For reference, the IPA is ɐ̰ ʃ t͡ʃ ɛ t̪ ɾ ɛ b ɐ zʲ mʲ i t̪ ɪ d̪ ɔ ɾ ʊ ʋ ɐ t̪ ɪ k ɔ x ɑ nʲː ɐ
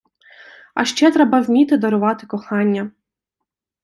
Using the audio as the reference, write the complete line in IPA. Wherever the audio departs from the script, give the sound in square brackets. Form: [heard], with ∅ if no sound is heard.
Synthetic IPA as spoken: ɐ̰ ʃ t͡ʃ ɛ t̪ ɾ ɛ b ɐ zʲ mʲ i t̪ ɪ d̪ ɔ ɾ ʊ ʋ [ɑ] t̪ ɪ k ɔ x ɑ nʲː ɐ